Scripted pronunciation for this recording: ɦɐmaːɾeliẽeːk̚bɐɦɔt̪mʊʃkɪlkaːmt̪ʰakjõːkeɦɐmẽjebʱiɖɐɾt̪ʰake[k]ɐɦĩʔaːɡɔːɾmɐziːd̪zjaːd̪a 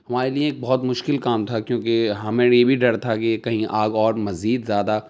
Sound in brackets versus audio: correct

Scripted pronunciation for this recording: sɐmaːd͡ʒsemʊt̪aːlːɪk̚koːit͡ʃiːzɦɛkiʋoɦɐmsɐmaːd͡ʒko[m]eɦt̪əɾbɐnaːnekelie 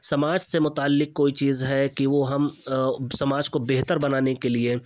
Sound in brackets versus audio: incorrect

